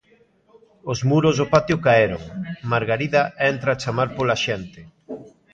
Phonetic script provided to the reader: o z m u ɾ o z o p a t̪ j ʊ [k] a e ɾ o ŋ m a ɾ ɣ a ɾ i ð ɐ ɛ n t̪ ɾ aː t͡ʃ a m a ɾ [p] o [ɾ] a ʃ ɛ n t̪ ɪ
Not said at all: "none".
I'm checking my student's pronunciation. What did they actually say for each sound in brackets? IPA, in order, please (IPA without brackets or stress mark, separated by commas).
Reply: k, p, l